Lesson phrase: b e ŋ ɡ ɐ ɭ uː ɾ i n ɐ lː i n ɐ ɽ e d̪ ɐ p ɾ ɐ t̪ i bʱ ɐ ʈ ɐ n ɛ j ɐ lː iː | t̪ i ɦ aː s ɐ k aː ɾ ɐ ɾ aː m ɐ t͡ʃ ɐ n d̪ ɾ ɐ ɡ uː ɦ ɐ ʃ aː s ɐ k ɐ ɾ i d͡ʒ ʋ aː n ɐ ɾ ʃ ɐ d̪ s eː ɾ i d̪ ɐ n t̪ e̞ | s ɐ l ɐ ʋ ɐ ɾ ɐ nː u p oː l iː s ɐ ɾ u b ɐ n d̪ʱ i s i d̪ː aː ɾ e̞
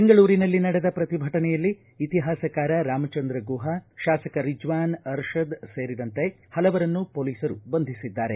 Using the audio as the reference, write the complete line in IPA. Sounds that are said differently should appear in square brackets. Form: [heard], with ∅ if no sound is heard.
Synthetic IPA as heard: b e ŋ ɡ ɐ ɭ uː ɾ i n ɐ lː i n ɐ ɽ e d̪ ɐ p ɾ ɐ t̪ i bʱ ɐ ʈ ɐ n ɛ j ɐ lː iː | t̪ i ɦ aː s ɐ k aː ɾ ɐ ɾ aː m ɐ t͡ʃ ɐ n d̪ ɾ ɐ ɡ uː ɦ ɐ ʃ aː s ɐ k ɐ ɾ i d͡ʒ ʋ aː n ɐ ɾ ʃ ɐ d̪ s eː ɾ i d̪ ɐ n t̪ e̞ | [h] ɐ l ɐ ʋ ɐ ɾ ɐ nː u p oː l iː s ɐ ɾ u b ɐ n d̪ʱ i s i d̪ː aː ɾ e̞